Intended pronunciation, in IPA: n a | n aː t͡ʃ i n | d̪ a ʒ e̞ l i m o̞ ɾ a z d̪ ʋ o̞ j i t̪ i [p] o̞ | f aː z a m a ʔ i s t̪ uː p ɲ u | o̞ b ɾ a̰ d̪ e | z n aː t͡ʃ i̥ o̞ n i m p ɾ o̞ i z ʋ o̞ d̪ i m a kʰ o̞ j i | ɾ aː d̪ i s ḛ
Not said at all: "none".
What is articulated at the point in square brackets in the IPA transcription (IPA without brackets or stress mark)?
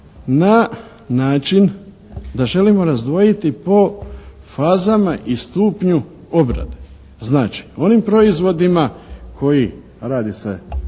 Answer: p